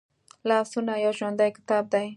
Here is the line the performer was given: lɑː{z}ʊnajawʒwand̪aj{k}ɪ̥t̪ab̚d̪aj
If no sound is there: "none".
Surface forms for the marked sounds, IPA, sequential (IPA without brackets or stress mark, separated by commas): s, k